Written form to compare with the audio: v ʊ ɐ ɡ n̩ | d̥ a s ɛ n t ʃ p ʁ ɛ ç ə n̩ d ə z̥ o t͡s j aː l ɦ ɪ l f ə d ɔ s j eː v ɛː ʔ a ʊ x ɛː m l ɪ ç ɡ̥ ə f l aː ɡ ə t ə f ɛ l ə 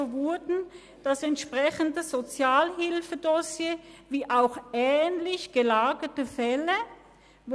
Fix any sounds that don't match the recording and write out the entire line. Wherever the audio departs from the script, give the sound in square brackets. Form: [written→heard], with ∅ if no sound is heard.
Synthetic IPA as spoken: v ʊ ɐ [ɡ→d] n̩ | d̥ a s ɛ n t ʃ p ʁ ɛ ç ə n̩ d ə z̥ o t͡s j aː l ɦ ɪ l f ə d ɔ s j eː v [ɛː→iː] ʔ a ʊ x ɛː [m→n] l ɪ ç ɡ̥ ə [f→∅] l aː ɡ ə t ə f ɛ l ə